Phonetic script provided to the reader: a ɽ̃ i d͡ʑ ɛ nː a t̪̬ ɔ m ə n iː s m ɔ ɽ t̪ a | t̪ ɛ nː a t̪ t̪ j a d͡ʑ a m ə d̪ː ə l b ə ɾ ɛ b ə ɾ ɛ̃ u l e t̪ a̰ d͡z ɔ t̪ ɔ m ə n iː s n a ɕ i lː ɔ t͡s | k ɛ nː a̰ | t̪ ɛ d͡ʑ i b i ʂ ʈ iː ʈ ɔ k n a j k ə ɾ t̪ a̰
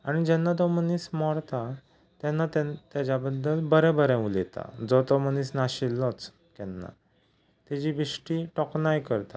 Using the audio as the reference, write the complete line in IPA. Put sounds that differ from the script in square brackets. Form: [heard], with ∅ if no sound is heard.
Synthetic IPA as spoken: a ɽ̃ i d͡ʑ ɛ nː a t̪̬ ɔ m ə n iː s m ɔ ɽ t̪ a | t̪ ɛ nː a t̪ t̪ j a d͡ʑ a [b] ə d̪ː ə l b ə ɾ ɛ b ə ɾ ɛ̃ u l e t̪ a̰ d͡z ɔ t̪ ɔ m ə n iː s n a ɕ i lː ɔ t͡s | k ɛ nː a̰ | t̪ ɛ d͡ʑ i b i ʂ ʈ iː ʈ ɔ k n a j k ə ɾ t̪ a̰